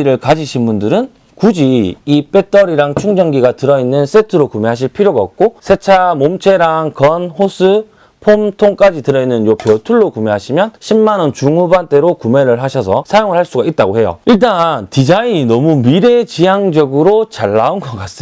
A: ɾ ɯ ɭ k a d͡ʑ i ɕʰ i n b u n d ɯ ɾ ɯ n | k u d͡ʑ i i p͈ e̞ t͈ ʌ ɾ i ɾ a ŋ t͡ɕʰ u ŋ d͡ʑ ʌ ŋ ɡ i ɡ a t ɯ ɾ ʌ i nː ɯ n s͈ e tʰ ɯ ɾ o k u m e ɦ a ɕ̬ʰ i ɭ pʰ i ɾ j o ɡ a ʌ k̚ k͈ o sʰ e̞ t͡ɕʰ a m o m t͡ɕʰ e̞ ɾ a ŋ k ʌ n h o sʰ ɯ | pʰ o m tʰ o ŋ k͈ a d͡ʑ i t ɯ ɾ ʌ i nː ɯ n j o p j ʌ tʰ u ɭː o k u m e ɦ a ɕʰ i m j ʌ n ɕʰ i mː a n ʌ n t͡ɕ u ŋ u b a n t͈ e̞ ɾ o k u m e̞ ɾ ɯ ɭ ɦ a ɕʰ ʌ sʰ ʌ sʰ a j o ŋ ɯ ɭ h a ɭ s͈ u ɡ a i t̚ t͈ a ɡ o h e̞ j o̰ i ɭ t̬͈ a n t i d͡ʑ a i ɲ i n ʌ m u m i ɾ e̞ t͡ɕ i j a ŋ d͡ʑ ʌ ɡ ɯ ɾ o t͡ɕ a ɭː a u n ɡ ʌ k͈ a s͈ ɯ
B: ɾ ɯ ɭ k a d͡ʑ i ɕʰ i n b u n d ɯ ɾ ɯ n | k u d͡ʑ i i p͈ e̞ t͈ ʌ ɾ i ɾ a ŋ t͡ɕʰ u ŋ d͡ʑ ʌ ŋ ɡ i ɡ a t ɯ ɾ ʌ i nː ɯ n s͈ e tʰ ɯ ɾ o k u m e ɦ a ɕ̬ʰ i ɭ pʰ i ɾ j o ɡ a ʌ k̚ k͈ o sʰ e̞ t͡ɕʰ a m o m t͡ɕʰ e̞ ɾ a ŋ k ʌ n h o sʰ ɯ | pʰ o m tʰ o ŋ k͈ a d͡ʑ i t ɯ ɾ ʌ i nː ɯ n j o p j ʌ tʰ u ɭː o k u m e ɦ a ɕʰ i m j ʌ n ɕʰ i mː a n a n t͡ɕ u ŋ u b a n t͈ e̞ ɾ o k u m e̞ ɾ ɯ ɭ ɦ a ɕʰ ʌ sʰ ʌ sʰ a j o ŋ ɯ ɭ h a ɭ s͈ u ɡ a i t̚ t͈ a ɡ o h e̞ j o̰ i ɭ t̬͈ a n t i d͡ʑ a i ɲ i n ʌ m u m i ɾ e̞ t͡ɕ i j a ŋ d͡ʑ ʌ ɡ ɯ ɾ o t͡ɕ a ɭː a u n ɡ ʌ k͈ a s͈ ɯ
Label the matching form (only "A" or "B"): A